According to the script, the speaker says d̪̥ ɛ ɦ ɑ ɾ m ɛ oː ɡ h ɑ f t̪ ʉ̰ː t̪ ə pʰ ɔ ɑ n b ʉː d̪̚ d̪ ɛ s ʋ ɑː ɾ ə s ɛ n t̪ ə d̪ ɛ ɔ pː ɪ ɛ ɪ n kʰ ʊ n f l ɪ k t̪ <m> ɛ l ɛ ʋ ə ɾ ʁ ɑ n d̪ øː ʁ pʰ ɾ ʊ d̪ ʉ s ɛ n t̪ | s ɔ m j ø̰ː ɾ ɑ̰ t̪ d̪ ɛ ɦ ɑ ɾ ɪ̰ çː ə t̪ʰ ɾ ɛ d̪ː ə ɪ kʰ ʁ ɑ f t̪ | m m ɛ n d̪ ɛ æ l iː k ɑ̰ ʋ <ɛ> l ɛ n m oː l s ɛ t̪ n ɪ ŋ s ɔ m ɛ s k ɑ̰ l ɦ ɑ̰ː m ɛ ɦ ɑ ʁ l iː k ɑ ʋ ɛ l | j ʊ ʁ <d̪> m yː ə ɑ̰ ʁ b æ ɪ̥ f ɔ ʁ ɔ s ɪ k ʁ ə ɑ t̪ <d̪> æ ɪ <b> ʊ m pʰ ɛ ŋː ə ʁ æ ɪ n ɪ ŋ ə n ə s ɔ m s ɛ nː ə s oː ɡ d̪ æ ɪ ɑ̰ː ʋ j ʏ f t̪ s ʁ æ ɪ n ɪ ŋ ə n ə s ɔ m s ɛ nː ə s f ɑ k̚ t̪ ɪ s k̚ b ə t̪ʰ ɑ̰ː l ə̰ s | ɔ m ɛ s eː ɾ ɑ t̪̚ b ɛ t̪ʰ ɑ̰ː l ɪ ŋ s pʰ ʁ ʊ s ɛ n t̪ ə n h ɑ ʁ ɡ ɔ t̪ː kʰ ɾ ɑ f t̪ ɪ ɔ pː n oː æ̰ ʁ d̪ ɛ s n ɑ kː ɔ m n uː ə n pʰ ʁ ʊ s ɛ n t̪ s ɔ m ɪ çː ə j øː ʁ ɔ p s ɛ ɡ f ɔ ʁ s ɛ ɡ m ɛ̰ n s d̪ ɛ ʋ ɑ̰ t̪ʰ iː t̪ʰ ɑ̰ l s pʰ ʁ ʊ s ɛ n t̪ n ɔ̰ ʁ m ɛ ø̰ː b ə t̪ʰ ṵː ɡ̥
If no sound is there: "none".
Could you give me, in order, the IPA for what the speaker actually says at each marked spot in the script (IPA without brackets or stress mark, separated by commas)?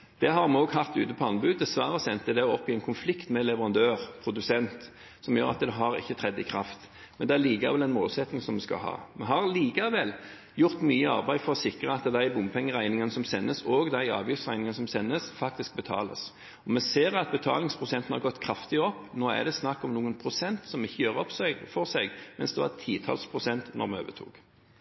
m, ɛ, t̪, d̪, b